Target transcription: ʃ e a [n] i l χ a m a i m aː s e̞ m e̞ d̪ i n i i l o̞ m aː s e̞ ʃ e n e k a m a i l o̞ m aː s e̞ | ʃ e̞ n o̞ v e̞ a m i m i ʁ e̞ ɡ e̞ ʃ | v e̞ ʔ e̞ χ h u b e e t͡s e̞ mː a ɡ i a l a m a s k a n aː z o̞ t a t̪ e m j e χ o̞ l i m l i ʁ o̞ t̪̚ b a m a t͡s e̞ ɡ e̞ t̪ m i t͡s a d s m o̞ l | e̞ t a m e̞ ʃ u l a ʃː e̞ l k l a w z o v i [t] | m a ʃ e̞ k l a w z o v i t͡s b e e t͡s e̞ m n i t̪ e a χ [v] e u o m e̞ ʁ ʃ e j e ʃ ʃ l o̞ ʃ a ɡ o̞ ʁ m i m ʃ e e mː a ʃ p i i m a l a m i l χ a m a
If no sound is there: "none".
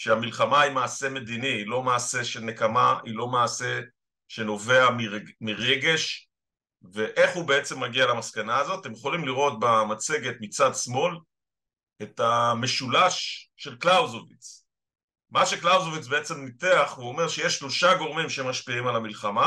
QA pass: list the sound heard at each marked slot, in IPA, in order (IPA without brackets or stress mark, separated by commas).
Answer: m, t͡s, v